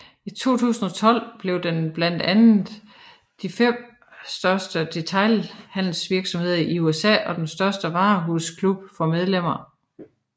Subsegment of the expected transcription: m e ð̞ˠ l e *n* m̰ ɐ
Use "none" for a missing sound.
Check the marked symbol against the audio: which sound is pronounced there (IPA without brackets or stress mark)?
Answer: none